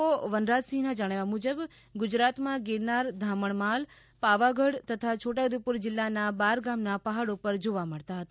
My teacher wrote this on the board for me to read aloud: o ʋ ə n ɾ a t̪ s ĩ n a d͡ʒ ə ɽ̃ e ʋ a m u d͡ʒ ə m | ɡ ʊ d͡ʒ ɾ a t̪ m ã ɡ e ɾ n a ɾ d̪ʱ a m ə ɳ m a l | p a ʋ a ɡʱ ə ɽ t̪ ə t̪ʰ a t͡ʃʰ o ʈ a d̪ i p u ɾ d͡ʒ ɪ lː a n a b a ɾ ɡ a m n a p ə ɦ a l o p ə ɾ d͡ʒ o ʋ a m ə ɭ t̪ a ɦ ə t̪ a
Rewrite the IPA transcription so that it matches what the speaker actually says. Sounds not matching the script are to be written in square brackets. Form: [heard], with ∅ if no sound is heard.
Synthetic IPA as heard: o ʋ ə n ɾ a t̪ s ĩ n a d͡ʒ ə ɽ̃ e ʋ a m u d͡ʒ ə [b] | ɡ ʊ d͡ʒ ɾ a t̪ m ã ɡ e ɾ n a ɾ d̪ʱ a m ə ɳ m a l | p a ʋ a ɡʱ ə ɽ t̪ ə t̪ʰ a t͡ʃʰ o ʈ a d̪ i p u ɾ d͡ʒ ɪ lː a n a b a ɾ ɡ a m n a p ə ɦ a [ɽ] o p ə ɾ d͡ʒ o ʋ a m ə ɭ t̪ a ɦ ə t̪ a